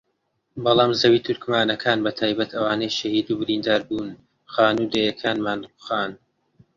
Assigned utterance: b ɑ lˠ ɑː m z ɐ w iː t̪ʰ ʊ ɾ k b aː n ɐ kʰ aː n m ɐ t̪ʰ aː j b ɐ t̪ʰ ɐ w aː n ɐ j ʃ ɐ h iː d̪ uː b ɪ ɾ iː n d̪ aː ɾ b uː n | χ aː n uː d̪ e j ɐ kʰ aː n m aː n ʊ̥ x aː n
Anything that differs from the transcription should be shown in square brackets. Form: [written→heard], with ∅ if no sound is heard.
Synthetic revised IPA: b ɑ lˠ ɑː m z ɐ w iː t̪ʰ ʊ ɾ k [b→m] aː n ɐ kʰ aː n [m→b] ɐ t̪ʰ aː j b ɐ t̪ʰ ɐ w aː n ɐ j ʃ ɐ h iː d̪ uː b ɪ ɾ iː n d̪ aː ɾ b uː n | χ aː n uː d̪ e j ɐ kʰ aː n m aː n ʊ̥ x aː n